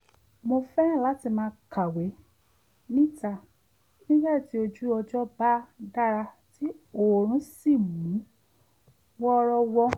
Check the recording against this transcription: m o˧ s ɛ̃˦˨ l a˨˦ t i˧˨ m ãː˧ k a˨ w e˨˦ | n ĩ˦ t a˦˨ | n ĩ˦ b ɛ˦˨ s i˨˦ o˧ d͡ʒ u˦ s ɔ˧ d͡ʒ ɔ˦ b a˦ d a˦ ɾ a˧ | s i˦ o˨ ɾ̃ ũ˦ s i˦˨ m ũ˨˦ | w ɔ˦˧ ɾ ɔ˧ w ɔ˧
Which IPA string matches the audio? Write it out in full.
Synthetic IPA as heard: m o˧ f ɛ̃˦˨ l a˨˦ t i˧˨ m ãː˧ k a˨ w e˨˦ | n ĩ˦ t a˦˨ | n ĩ˦ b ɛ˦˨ t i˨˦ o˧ d͡ʒ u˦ ɔ˧ d͡ʒ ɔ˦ b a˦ d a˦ ɾ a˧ | t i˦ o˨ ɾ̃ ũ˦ s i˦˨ m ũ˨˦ | w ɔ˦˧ ɾ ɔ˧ w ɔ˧